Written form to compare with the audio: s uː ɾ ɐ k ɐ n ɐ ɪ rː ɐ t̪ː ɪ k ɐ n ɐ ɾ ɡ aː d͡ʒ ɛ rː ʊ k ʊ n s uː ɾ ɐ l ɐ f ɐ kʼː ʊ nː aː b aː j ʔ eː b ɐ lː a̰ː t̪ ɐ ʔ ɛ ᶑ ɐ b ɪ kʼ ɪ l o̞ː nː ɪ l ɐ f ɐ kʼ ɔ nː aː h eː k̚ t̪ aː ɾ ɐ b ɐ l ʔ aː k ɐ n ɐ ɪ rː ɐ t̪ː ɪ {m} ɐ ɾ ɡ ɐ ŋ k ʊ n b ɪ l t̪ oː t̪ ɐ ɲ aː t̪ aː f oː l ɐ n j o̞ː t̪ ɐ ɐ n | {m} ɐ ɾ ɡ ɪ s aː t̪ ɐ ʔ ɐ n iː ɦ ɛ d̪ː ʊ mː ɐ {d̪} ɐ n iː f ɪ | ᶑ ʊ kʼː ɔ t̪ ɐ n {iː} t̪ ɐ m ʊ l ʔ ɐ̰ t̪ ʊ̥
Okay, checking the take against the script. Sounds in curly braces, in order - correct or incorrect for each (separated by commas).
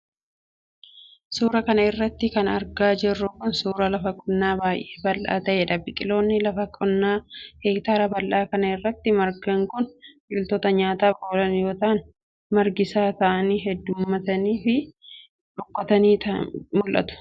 correct, correct, incorrect, correct